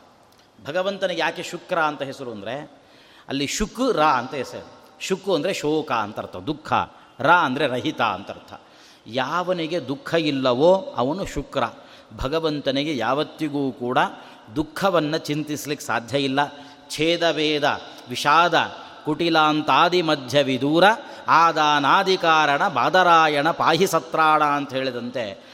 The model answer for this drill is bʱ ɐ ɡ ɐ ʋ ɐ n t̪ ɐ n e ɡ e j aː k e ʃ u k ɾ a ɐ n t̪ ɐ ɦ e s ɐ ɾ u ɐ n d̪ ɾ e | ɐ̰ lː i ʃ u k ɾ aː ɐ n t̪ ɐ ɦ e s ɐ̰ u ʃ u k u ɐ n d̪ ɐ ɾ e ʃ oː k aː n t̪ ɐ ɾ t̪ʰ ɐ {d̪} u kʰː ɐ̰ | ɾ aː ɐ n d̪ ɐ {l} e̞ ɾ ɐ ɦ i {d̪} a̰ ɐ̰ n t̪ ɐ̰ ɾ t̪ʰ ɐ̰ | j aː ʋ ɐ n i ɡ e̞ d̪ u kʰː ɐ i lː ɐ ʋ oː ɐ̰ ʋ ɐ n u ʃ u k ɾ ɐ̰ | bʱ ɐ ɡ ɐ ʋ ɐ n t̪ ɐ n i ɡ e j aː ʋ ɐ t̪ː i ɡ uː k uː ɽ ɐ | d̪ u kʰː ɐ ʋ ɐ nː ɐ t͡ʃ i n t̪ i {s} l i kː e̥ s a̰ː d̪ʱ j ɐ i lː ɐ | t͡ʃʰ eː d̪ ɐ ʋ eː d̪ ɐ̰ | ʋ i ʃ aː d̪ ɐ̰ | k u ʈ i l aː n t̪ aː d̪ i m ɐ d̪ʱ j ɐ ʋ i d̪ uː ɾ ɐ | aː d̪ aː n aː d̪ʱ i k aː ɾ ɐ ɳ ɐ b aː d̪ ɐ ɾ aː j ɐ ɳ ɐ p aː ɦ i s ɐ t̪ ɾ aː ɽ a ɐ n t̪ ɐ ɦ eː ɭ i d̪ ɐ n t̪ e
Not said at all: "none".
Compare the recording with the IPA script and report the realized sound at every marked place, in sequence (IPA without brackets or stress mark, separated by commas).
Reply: d̪, ɾ, t̪, s